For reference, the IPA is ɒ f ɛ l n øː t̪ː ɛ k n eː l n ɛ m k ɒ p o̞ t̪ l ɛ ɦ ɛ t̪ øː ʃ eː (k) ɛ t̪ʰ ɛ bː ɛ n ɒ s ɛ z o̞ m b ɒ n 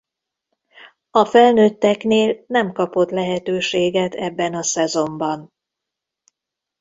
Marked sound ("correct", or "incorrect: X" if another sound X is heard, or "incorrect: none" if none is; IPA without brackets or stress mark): incorrect: ɡ